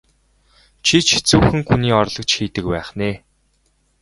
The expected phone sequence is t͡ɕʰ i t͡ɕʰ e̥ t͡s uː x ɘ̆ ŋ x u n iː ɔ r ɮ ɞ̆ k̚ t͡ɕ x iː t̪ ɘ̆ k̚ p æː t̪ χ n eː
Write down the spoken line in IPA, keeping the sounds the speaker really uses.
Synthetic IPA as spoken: t͡ɕʰ i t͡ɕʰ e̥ t͡s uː x ɘ̆ ŋ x u n iː ɔ r ɮ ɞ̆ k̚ t͡ɕ x iː t̪ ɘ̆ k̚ p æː χ n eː